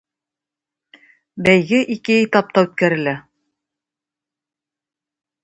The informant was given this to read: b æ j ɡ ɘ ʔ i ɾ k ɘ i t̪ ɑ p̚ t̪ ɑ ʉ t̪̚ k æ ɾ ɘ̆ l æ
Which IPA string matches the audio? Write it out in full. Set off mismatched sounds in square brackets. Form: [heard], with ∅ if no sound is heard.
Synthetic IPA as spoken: b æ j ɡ ɘ ʔ i [∅] k ɘ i t̪ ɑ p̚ t̪ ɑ ʉ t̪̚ k æ ɾ ɘ̆ l æ